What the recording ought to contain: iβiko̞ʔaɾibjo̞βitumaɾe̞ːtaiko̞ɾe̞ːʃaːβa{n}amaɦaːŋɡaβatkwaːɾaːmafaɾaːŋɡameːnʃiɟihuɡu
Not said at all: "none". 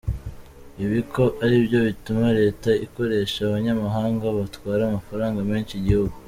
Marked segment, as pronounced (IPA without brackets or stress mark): ɲ